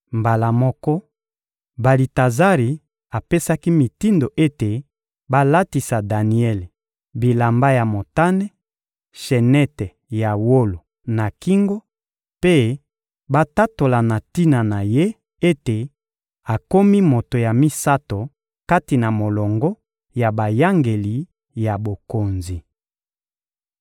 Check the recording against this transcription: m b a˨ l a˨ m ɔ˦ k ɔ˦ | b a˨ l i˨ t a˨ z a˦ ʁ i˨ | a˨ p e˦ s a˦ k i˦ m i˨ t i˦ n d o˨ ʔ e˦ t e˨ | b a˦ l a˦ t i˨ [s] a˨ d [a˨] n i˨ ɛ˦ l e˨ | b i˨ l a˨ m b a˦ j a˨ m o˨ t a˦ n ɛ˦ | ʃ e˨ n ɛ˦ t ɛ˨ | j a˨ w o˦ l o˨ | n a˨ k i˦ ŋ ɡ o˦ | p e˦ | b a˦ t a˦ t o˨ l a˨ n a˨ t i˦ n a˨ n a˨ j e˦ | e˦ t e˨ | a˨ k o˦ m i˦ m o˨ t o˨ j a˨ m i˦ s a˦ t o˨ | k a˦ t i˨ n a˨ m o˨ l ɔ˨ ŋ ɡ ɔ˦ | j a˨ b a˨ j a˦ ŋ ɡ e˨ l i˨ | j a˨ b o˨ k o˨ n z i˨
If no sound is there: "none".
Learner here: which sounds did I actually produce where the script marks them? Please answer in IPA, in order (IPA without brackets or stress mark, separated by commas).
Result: s, a˨